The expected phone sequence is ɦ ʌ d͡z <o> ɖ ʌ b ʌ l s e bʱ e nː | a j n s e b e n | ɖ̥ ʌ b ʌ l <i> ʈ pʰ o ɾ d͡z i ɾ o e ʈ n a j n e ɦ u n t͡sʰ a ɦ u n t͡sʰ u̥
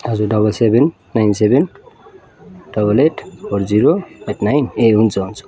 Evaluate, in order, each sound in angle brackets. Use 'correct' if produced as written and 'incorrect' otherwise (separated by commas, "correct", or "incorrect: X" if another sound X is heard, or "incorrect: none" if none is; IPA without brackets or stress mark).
incorrect: u, incorrect: e